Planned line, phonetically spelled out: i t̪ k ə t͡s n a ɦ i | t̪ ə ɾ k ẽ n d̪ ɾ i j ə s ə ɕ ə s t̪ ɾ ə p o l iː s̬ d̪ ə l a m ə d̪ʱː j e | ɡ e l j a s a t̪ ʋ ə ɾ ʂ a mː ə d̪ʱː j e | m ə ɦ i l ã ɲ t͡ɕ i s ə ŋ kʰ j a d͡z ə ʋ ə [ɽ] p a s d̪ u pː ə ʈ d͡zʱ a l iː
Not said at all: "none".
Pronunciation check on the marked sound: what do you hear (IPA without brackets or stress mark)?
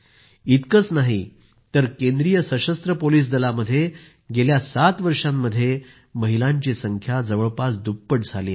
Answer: ɭ